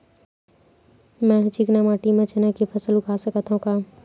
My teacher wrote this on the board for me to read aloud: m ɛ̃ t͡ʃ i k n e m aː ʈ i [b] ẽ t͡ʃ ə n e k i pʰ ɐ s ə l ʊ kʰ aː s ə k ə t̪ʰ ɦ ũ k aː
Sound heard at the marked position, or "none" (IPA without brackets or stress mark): m